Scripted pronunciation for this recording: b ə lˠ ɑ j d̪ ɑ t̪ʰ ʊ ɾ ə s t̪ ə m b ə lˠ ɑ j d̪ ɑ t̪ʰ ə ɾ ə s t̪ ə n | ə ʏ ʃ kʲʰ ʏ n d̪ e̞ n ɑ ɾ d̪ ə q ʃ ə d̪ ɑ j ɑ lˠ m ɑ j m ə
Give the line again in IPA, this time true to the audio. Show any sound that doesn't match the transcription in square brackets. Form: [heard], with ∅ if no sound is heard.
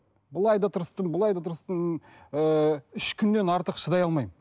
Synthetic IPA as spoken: b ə lˠ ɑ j d̪ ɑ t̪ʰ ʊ ɾ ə s t̪ ə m b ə lˠ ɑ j d̪ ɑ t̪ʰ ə ɾ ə s t̪ ə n | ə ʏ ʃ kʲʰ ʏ n d̪ e̞ n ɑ ɾ [t̪] ə q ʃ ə d̪ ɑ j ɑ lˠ m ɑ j m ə

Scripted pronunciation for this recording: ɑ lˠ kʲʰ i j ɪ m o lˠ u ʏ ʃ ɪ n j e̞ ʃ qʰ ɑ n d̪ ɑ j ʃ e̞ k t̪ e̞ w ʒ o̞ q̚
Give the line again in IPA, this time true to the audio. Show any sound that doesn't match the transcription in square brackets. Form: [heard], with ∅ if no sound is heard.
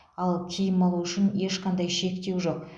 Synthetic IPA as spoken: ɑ lˠ kʲʰ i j ɪ m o lˠ u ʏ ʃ ɪ n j e̞ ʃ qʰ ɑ n d̪ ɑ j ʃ e̞ k t̪ e̞ w ʒ o̞ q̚

